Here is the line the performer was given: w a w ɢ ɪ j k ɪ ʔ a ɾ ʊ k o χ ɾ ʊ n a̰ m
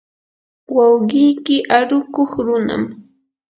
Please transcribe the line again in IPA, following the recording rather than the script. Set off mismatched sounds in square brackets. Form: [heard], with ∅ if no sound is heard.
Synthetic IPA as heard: w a w ɢ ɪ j k ɪ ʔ a ɾ ʊ k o χ ɾ ʊ n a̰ m